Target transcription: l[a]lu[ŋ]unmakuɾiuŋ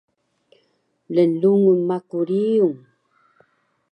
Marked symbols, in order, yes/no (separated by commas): no, yes